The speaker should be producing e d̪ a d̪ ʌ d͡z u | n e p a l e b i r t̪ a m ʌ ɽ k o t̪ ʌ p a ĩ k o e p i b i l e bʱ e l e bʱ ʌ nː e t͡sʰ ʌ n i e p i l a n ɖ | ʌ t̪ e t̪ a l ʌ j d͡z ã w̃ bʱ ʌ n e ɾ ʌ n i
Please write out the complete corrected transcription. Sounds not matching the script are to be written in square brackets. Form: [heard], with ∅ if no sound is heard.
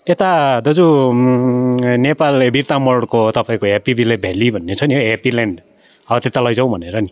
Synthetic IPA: e [t̪] a d̪ ʌ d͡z u | n e p a l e b i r t̪ a m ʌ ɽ k o t̪ ʌ p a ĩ k o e p i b i l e bʱ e l [i] bʱ ʌ nː e t͡sʰ ʌ n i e p i l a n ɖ | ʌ t̪ e t̪ a l ʌ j d͡z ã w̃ bʱ ʌ n e ɾ ʌ n i